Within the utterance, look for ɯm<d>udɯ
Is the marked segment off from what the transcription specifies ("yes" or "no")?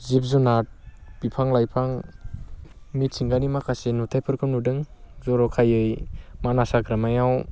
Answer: yes